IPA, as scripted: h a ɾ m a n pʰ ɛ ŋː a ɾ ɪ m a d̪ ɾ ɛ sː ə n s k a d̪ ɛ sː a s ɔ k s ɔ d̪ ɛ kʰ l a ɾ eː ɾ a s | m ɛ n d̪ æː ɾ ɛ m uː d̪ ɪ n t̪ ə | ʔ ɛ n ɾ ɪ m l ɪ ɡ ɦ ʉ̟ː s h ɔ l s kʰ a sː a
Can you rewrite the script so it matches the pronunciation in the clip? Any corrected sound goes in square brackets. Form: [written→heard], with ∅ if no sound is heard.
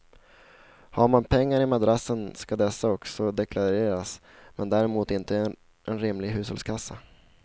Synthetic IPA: h a ɾ m a n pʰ ɛ ŋː a ɾ ɪ m a d̪ ɾ [ɛ→a] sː ə n s k a d̪ ɛ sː a [s→∅] ɔ k s ɔ d̪ ɛ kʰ l a ɾ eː ɾ a s | m ɛ n d̪ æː ɾ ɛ m uː [d̪→t̪] ɪ n t̪ ə | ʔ ɛ n ɾ ɪ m l ɪ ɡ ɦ ʉ̟ː s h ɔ l s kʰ a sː a